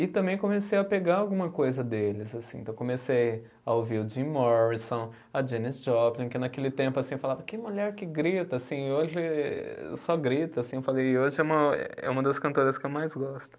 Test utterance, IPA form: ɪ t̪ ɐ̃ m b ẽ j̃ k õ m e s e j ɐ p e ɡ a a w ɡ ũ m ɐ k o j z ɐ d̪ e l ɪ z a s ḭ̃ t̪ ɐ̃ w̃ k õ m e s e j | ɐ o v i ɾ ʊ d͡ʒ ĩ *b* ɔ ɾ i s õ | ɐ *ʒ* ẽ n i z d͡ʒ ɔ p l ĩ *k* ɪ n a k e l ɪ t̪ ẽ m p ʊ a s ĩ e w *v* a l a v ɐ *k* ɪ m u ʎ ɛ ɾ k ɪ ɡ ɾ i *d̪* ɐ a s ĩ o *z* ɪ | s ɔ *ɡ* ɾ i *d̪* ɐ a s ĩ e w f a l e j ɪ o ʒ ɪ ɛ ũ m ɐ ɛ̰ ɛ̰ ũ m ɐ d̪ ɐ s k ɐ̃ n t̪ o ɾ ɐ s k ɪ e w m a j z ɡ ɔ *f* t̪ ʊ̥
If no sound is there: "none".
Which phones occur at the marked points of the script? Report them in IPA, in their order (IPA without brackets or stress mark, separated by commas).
m, d͡ʒ, k, f, k, t̪, ʒ, ɡ, t̪, s